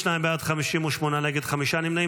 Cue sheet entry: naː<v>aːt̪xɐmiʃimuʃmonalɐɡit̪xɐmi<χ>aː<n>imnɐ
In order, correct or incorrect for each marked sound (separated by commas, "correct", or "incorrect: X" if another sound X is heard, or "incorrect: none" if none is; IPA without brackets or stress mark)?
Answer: incorrect: b, incorrect: ʃ, correct